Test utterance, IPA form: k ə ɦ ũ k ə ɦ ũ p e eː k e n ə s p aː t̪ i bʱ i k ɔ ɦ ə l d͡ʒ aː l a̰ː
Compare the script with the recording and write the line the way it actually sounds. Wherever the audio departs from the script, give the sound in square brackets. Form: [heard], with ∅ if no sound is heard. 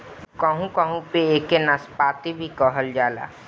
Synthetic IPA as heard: k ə ɦ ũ k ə ɦ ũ p e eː k e n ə s p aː t̪ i bʱ i k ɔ ɦ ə l d͡ʒ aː l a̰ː